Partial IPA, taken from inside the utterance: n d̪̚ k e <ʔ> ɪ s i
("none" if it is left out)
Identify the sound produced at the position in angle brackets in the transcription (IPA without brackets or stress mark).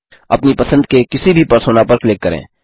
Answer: k